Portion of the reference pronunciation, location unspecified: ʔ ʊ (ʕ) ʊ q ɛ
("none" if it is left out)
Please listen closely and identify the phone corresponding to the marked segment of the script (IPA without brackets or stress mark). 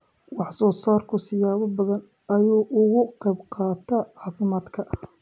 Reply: ɣ